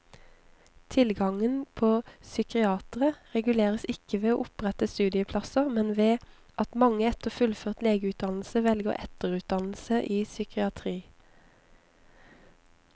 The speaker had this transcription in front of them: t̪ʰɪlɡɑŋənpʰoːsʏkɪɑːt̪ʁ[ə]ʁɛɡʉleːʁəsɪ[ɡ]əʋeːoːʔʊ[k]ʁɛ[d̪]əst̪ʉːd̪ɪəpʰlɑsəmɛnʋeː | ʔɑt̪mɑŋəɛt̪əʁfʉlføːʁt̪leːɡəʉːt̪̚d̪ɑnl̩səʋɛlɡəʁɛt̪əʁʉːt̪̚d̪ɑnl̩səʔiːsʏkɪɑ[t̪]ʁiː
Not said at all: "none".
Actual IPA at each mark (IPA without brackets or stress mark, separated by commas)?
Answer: ə, k, p, t̪, t̪ʰ